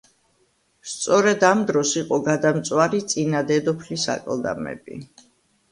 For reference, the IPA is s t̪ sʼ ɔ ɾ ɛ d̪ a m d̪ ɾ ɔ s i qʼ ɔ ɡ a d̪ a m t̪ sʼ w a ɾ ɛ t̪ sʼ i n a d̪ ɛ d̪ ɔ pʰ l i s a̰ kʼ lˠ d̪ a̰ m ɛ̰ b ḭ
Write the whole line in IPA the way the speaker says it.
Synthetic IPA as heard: s t̪ sʼ ɔ ɾ ɛ d̪ a m d̪ ɾ ɔ s i qʼ ɔ ɡ a d̪ a m t̪ sʼ w a ɾ i t̪ sʼ i n a d̪ ɛ d̪ ɔ pʰ l i s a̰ kʼ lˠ d̪ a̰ m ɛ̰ b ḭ